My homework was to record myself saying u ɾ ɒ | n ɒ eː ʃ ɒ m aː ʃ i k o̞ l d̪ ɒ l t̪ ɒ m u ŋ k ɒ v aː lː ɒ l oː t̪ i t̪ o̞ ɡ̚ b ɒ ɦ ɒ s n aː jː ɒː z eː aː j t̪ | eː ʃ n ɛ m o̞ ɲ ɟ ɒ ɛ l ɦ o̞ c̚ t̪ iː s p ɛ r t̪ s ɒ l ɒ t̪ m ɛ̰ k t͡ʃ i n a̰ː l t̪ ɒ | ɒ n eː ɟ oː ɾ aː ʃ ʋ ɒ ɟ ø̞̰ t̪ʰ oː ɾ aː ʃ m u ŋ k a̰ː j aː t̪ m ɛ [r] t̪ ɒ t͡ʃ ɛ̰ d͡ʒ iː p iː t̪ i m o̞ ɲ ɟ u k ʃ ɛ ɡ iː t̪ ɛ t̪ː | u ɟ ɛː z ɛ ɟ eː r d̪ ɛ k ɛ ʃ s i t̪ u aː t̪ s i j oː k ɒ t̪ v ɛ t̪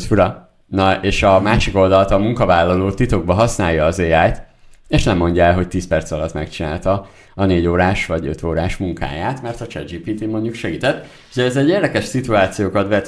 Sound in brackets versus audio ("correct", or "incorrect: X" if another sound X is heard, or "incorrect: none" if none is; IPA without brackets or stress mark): correct